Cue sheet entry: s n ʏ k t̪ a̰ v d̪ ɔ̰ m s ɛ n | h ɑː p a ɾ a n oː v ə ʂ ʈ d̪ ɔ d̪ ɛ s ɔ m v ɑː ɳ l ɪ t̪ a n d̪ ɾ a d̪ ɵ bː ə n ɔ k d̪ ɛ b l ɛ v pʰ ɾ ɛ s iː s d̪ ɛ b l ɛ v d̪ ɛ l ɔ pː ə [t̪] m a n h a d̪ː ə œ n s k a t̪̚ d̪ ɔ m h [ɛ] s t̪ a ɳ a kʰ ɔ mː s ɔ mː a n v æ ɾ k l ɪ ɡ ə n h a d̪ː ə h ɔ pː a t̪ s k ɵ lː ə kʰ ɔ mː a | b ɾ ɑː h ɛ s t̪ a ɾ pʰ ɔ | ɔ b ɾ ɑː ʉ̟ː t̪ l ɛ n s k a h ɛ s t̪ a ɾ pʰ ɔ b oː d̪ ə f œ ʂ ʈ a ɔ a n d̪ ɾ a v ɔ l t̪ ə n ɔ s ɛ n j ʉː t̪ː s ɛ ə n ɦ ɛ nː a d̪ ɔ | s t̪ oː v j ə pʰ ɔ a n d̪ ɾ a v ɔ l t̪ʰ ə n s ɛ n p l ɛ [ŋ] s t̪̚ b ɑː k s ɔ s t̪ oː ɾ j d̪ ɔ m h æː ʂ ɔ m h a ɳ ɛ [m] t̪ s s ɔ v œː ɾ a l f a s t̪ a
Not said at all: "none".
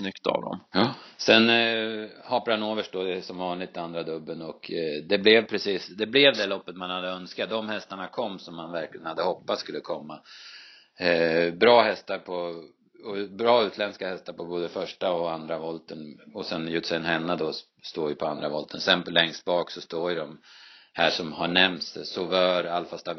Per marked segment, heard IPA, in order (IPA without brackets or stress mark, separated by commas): t̪, ɛ, ŋ, m